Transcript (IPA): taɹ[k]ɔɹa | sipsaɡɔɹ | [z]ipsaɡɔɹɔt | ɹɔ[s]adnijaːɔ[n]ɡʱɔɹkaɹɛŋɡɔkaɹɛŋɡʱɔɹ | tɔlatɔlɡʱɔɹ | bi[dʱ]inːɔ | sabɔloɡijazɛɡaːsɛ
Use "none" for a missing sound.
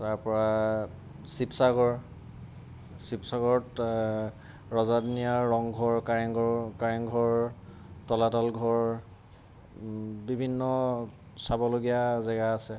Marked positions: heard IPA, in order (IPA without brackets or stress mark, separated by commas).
p, s, z, ŋ, bʱ